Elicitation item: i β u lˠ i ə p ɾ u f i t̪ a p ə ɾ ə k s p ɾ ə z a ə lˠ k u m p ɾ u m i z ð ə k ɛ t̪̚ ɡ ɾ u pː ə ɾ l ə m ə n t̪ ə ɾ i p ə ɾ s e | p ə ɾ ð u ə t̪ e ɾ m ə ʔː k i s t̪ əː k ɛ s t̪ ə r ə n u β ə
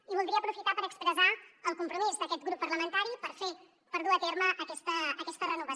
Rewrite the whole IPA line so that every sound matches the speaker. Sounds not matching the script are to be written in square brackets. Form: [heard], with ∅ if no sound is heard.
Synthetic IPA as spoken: i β u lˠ i ə p ɾ u f i t̪ a p ə ɾ ə k s p ɾ ə z a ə lˠ k u m p ɾ u m i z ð ə k ɛ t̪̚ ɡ ɾ u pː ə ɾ l ə m ə n t̪ [a] ɾ i p ə ɾ [f] e | p ə ɾ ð u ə t̪ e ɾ m ə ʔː k [ɛ] s t̪ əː k ɛ s t̪ ə r ə n u β ə